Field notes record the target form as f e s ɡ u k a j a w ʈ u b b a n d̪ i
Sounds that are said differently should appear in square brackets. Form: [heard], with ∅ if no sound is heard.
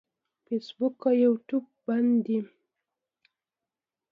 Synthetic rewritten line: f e s [b] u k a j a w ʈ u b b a n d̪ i